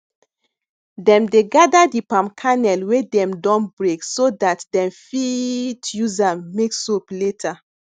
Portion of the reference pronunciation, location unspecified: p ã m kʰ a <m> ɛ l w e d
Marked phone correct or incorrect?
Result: incorrect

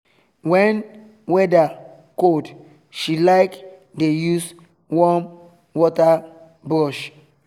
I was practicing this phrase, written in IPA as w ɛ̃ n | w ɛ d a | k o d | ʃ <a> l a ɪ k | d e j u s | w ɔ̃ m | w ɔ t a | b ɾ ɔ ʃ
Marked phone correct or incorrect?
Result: incorrect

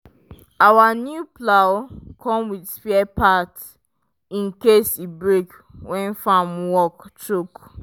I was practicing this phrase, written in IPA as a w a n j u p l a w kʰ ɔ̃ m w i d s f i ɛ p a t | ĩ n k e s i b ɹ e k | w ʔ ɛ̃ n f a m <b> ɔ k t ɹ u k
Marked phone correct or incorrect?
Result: incorrect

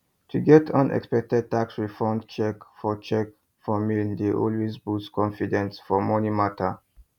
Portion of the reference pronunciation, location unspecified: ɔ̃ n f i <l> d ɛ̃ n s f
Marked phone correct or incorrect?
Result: incorrect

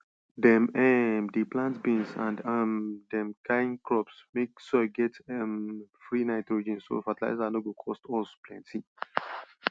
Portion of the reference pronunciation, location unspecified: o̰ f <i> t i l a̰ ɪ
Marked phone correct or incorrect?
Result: incorrect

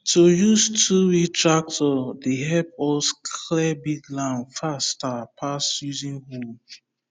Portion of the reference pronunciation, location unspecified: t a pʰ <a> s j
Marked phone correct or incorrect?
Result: correct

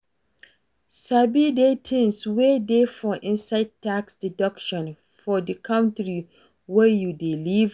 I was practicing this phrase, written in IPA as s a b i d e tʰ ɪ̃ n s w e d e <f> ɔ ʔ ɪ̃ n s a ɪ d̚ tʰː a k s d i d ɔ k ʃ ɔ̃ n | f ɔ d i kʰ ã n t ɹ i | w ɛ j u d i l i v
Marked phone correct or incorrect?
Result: correct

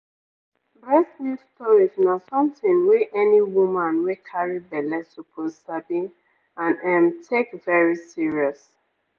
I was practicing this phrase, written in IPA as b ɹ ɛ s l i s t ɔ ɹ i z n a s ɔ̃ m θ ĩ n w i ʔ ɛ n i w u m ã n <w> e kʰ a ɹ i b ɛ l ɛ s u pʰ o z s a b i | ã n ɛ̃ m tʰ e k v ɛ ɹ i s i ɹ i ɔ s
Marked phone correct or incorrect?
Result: correct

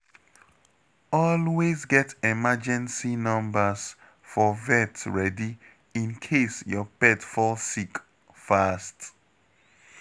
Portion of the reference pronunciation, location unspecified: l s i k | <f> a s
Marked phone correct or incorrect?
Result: correct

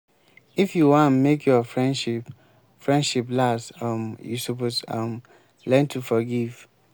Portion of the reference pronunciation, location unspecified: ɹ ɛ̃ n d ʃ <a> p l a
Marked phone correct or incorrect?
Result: incorrect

